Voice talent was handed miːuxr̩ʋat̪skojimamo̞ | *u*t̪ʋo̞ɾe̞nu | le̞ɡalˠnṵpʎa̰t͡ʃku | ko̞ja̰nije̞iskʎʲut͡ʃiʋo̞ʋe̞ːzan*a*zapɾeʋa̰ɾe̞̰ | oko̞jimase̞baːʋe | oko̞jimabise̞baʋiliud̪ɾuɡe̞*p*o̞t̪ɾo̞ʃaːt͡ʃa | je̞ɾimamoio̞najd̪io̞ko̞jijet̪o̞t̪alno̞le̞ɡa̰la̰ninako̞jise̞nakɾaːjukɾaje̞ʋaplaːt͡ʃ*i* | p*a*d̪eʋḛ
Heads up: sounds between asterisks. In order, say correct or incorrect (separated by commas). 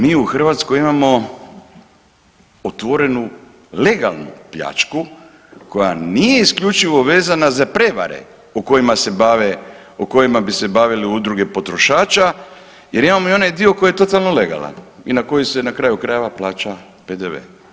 incorrect, correct, correct, incorrect, incorrect